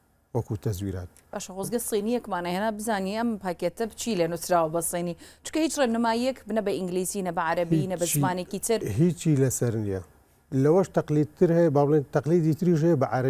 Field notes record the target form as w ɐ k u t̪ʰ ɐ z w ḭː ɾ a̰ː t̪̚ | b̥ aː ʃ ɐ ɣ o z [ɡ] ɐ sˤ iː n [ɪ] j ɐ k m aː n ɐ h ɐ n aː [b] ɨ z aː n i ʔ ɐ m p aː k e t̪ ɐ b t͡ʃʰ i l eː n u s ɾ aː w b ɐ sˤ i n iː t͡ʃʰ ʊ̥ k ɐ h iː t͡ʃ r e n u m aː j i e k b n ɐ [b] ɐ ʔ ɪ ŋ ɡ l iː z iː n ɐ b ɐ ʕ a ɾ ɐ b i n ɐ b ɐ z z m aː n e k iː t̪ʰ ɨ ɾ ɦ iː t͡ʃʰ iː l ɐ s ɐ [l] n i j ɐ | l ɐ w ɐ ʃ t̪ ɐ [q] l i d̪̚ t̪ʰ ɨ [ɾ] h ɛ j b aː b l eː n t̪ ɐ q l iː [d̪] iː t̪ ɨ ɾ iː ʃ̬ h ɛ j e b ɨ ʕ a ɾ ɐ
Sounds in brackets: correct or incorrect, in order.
correct, incorrect: i, correct, correct, incorrect: ɾ, correct, correct, correct

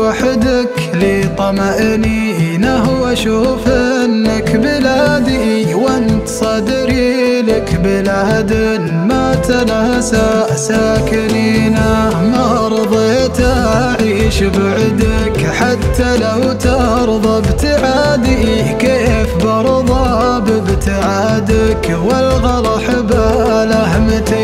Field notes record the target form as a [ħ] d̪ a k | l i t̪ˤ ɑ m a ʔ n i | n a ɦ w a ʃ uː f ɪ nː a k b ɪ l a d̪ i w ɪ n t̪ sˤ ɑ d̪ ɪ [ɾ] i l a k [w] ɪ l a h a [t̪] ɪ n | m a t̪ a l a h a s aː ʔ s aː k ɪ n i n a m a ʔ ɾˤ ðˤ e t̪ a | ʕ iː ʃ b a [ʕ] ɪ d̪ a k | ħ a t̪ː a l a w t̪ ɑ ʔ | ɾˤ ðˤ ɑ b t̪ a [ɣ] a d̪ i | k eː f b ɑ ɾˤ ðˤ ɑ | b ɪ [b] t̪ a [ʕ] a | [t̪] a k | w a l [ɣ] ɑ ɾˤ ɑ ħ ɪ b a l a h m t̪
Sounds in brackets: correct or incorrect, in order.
correct, correct, incorrect: b, incorrect: d̪, correct, incorrect: ʕ, correct, correct, incorrect: d̪, correct

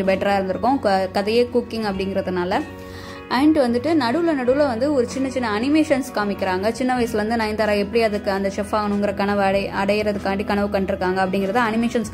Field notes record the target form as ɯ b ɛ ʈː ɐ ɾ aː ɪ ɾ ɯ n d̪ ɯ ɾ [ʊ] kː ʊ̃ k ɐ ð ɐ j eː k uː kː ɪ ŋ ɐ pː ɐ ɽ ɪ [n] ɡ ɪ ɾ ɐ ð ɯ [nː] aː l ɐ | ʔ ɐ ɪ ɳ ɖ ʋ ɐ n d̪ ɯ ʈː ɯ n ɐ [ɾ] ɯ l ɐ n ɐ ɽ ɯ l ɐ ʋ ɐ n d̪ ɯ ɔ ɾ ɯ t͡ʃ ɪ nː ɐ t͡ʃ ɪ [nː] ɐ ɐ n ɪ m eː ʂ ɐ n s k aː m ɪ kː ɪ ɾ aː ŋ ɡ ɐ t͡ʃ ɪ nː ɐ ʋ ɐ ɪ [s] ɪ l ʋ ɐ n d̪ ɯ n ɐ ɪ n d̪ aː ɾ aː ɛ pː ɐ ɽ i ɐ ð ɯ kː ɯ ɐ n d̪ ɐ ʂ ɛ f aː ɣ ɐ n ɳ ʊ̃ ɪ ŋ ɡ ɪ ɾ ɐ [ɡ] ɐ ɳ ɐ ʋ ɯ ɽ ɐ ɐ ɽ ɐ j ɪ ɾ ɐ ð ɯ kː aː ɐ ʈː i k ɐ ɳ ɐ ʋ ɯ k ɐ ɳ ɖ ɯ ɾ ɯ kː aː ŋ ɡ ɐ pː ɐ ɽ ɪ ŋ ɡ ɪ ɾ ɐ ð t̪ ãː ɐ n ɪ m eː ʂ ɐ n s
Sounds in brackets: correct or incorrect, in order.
incorrect: ɯ, incorrect: ŋ, incorrect: n, incorrect: ɽ, correct, correct, incorrect: k

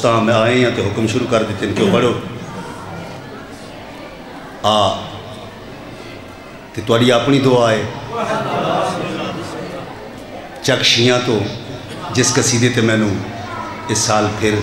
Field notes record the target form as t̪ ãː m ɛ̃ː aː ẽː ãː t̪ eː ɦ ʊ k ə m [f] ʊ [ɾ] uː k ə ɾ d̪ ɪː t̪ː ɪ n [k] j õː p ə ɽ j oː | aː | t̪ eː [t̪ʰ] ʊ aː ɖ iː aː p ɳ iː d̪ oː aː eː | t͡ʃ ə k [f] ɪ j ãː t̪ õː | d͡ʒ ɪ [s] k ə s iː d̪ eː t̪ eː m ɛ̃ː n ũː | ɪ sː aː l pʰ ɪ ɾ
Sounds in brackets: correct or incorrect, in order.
incorrect: ʃ, correct, correct, incorrect: t̪, incorrect: ʃ, correct

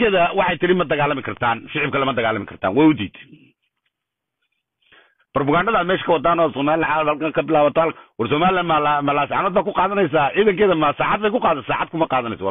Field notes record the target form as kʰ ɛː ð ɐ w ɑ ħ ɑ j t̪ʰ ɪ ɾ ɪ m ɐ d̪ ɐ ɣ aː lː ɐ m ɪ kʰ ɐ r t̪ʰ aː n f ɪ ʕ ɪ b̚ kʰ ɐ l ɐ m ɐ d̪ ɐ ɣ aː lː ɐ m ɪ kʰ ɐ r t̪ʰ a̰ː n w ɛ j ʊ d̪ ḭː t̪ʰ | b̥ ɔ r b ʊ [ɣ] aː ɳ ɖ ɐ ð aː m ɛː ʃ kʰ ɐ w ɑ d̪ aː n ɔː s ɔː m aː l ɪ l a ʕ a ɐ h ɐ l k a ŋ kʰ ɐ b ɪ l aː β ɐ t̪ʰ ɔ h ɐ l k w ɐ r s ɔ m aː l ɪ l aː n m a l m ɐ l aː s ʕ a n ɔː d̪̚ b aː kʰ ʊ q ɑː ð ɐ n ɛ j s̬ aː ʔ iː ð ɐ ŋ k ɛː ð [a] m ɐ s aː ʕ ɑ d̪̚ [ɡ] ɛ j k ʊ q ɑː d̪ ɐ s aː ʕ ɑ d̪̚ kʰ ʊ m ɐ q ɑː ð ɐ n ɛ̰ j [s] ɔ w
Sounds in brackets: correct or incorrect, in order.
correct, incorrect: ɐ, incorrect: b, correct

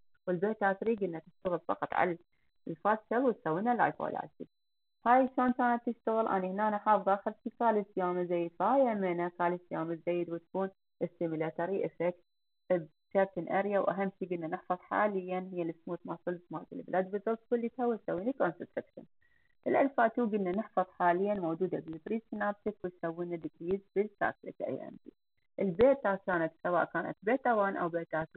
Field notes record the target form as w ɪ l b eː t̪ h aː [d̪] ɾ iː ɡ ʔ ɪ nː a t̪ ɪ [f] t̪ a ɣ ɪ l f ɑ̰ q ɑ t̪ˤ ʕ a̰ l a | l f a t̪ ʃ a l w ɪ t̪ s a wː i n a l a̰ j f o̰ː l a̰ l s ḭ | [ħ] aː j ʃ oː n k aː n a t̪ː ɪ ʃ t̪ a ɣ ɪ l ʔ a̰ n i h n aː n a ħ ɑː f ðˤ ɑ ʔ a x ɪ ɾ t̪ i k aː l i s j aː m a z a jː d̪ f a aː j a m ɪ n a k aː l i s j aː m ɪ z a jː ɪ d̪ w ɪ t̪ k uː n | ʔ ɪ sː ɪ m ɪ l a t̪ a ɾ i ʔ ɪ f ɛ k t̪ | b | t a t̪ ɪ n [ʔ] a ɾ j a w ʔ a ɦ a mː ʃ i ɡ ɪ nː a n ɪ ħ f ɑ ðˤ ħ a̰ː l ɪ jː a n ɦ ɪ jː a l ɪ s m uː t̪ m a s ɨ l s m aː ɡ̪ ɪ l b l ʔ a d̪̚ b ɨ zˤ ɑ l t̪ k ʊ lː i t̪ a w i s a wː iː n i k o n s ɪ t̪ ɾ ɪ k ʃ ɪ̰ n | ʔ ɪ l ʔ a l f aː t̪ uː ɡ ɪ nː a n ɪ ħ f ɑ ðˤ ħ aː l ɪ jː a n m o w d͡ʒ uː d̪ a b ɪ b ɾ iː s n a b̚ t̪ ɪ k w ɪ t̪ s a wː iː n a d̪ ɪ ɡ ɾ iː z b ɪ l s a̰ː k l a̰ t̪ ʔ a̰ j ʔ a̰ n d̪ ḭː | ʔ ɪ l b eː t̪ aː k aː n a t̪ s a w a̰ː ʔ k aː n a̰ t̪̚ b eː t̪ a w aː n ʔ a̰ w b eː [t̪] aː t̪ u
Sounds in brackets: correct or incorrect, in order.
incorrect: t̪, incorrect: ʃ, incorrect: h, correct, correct

